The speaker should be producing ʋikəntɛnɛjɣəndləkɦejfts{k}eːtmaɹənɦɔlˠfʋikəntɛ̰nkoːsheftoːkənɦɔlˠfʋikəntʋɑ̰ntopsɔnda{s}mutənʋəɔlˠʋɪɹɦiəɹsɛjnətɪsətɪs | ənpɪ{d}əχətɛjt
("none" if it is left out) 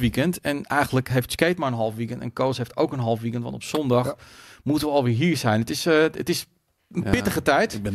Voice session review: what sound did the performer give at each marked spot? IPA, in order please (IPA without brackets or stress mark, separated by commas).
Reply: k, x, t